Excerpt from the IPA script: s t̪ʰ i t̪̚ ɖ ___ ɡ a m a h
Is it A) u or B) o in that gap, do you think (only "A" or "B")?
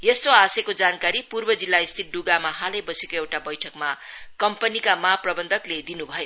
A